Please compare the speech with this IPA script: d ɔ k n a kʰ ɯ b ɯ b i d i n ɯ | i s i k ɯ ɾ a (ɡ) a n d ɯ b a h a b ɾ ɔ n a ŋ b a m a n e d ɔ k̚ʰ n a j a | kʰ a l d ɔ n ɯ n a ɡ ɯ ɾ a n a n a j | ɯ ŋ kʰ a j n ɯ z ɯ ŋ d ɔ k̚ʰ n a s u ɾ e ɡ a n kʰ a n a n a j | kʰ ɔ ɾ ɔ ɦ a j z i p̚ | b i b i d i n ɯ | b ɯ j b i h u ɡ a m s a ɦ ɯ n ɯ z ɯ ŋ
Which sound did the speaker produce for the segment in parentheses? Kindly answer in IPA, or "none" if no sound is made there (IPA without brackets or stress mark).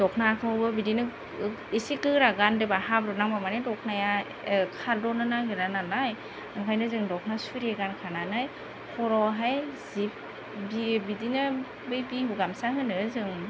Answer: ɡ